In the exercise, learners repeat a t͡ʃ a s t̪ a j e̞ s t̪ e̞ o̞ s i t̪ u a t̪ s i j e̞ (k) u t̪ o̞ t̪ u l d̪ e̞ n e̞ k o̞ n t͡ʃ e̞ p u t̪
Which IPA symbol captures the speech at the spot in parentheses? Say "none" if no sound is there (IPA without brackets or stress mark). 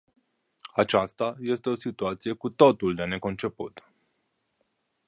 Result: k